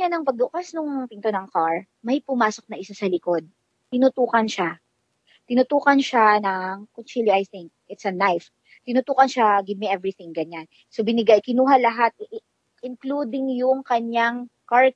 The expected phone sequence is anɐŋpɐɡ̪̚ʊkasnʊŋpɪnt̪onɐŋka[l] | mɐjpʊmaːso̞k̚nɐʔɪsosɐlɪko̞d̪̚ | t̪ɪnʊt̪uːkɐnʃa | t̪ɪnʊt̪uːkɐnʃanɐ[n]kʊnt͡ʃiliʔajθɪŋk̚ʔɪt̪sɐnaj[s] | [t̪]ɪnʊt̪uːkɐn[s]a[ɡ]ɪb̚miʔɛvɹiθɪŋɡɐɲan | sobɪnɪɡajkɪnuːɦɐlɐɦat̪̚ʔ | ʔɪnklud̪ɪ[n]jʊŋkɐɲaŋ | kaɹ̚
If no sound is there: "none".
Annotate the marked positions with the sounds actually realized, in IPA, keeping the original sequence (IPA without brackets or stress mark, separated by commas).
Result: ɹ, ŋ, f, t̪, ʃ, ɡ, ŋ